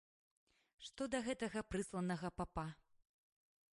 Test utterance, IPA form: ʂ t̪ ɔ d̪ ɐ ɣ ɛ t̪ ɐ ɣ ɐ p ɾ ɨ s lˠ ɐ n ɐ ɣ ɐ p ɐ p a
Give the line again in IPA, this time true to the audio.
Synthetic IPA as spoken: ʂ t̪ ɔ d̪ ɐ ɣ ɛ t̪ ɐ ɣ ɐ p ɾ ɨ s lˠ ɐ n ɐ ɣ ɐ p a p a